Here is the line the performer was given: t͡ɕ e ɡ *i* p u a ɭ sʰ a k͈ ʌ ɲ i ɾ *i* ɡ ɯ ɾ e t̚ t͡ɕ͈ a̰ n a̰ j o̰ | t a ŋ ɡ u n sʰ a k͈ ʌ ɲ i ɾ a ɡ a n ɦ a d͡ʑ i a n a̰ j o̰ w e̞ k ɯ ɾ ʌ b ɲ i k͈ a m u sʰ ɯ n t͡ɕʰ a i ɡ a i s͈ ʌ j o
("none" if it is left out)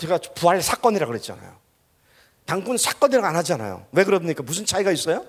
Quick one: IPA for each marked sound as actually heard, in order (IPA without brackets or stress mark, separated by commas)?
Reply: a, a